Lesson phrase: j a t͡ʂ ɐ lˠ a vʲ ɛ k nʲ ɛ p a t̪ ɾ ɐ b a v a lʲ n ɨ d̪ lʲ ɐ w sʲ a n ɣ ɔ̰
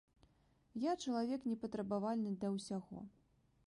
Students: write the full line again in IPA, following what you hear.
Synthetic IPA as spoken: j a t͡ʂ ɐ lˠ a vʲ ɛ k nʲ ɛ p ɐ t̪ ɾ ɐ b a v a lʲ n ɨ d̪ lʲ ɐ w sʲ a ɣ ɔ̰